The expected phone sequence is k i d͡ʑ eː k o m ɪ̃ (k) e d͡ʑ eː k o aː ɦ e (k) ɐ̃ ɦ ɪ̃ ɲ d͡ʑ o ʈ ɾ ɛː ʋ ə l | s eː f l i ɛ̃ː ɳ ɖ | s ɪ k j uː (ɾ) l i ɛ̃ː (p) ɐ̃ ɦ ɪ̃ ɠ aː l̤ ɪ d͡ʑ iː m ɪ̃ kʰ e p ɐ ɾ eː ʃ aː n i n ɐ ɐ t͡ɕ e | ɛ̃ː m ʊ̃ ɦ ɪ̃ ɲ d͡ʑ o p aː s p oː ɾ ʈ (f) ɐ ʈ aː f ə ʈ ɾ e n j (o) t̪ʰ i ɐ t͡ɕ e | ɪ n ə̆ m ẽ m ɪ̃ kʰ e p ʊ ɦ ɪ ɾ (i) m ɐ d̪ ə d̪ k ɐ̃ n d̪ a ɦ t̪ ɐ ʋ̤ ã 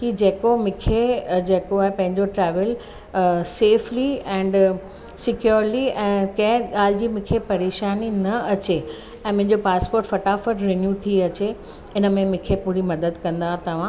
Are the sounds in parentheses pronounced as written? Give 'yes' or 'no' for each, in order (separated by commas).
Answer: no, no, yes, no, yes, no, yes